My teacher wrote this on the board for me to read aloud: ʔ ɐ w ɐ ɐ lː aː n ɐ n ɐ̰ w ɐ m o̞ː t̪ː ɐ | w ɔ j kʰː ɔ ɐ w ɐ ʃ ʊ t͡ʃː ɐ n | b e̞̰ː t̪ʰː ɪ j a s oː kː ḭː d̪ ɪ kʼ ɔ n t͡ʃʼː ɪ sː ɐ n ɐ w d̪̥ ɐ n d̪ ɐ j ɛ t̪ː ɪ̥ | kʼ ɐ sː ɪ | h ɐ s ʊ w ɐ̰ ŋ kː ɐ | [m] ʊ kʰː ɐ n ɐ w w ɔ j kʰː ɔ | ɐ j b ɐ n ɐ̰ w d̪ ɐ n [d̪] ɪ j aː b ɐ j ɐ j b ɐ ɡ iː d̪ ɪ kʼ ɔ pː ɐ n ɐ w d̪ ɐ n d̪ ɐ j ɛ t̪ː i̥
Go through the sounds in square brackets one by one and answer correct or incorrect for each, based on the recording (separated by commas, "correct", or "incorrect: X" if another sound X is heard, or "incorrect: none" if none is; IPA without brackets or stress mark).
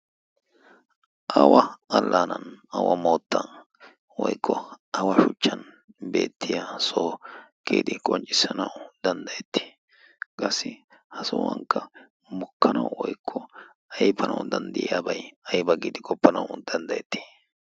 correct, correct